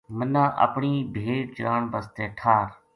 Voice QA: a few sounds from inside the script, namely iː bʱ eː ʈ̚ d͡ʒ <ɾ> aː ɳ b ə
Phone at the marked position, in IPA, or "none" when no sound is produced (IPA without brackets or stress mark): ɾ